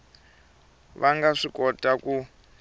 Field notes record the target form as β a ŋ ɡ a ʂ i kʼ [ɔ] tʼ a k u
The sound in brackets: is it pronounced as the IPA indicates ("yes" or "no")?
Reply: yes